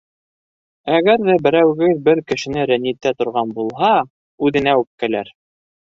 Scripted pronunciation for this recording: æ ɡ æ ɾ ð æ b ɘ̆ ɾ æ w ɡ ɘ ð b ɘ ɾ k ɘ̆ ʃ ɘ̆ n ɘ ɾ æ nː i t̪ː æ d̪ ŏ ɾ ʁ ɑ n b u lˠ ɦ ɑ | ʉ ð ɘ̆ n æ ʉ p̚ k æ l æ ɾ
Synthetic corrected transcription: æ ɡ æ ɾ ð æ b ɘ̆ ɾ æ w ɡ ɘ ð b ɘ ɾ k ɘ̆ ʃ ɘ̆ n ɘ ɾ æ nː i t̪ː æ t̪ ŏ ɾ ʁ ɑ n b u lˠ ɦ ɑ | ʉ ð ɘ̆ n æ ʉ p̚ k æ l æ ɾ